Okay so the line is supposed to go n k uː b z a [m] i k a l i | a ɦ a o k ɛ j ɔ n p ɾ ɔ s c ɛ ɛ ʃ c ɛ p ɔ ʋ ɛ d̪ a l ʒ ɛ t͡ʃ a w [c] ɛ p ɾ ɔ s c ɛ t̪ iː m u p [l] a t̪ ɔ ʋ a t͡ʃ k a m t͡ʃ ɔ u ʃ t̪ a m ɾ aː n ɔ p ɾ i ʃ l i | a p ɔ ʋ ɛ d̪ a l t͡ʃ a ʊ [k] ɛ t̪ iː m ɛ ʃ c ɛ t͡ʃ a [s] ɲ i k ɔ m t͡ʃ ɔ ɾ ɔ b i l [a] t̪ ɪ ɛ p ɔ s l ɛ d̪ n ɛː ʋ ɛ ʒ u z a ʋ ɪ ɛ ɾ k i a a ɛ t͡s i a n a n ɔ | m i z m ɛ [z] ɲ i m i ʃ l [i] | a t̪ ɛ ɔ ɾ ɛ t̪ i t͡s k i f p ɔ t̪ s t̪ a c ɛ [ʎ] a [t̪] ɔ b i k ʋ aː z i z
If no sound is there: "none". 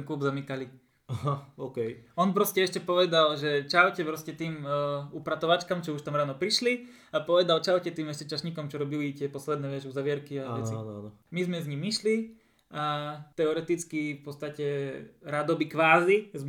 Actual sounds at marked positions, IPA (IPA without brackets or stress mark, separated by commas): m, c, ɾ, c, ʃ, i, z, i, ɾ, d̪